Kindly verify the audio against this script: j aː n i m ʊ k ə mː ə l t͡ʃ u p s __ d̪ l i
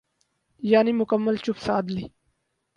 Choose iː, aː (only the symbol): aː